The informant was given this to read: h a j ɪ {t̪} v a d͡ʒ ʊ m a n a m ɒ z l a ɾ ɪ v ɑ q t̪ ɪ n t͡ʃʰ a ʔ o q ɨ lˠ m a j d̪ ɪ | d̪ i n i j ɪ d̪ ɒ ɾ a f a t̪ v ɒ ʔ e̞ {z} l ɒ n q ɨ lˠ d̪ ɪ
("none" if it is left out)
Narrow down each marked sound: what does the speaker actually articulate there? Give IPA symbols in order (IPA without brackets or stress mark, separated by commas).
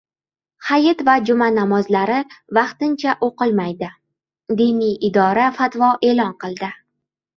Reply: t̪, none